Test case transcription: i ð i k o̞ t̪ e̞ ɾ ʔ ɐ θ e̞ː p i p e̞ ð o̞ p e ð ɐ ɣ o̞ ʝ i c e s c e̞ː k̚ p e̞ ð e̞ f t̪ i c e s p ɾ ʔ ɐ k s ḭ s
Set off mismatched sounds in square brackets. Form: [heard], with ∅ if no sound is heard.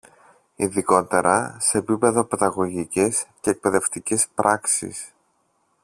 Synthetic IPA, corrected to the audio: i ð i k o̞ t̪ e̞ ɾ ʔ ɐ [s] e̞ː p i p e̞ ð o̞ p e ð ɐ ɣ o̞ ʝ i c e s c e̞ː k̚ p e̞ ð e̞ f t̪ i c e s p ɾ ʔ ɐ k s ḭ s